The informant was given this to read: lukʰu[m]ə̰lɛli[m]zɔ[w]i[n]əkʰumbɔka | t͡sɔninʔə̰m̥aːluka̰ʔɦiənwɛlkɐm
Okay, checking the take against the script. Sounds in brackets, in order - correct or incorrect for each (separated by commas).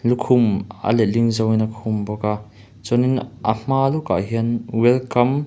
correct, incorrect, correct, correct